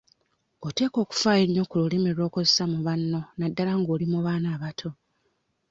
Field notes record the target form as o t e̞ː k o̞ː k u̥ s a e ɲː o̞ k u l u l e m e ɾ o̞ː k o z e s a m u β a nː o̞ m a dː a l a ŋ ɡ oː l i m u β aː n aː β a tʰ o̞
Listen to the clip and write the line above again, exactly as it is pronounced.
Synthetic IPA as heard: o t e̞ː k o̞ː k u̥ f a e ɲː o̞ k u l u l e m e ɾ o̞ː k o z e s a m u β a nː o̞ n a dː a l a ŋ ɡ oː l i m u β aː n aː β a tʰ o̞